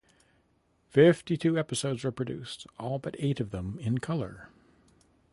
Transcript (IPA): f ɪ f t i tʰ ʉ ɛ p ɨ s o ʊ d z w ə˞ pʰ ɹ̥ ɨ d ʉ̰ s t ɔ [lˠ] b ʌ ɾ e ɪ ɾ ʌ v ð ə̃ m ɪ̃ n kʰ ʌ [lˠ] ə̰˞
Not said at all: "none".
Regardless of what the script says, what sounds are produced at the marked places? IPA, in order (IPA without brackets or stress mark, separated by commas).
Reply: lˠ, lˠ